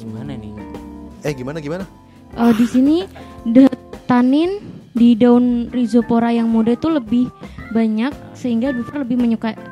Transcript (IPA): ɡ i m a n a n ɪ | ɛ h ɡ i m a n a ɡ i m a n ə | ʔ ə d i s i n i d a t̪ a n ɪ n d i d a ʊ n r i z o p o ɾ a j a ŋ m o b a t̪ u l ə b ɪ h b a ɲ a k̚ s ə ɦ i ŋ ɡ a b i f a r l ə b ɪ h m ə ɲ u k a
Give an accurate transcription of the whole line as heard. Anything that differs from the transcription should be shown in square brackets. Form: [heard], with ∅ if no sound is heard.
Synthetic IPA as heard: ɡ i m a n a n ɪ | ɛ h ɡ i m a n a ɡ i m a n [a] | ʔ ə d i s i n i d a t̪ a n ɪ n d i d a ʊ n r i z o p o ɾ a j a ŋ m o [d] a t̪ u l ə b ɪ h b a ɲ a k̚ s ə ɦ i ŋ ɡ a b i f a r l ə b ɪ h m ə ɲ u k a